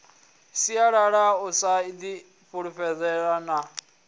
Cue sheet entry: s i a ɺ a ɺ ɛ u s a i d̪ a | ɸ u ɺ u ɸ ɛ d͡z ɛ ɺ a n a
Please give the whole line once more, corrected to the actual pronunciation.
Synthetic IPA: s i a ɺ a ɺ a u s a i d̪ i | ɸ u ɺ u ɸ ɛ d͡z ɛ ɺ a n a